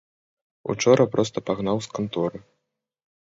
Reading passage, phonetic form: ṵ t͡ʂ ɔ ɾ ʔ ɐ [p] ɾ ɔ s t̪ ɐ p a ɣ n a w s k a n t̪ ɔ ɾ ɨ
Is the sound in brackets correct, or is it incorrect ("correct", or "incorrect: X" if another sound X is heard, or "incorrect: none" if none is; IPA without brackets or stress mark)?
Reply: correct